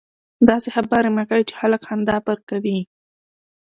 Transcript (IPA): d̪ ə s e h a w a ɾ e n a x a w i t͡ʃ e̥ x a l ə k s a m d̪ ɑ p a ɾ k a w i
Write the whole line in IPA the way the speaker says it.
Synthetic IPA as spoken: d̪ ɑ s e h a b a ɾ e m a k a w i t͡ʃ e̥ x a l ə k h a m d̪ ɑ p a ɾ k a w i